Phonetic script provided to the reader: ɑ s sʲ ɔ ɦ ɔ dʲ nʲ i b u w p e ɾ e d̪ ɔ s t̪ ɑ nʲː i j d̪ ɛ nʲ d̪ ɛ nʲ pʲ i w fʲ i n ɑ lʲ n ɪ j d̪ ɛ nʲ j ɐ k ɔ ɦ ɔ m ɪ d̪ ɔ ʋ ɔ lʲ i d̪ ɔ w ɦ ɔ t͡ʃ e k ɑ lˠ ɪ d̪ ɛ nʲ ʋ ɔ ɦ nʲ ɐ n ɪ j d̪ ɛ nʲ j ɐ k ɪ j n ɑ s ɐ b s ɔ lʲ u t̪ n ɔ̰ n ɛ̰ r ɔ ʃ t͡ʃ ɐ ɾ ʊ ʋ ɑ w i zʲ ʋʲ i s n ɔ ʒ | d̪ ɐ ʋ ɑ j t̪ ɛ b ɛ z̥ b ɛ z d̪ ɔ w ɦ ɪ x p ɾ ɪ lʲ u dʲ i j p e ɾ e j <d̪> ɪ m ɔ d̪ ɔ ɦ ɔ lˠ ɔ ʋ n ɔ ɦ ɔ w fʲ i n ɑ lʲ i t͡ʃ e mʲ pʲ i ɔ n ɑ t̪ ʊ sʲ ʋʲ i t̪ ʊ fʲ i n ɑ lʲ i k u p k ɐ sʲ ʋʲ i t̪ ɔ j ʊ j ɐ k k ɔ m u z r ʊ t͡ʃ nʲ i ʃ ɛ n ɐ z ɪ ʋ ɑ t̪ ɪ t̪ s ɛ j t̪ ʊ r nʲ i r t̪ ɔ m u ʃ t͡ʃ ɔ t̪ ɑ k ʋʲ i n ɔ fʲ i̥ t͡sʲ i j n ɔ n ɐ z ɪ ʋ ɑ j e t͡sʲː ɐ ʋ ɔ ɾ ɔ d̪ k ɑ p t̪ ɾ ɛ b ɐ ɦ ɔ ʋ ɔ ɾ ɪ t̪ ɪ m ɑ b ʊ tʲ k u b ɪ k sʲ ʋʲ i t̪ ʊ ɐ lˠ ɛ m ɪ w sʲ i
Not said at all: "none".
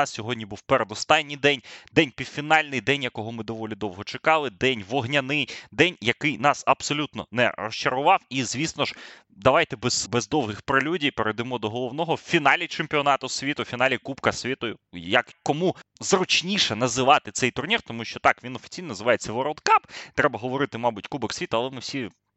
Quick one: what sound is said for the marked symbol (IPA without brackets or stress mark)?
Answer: d̪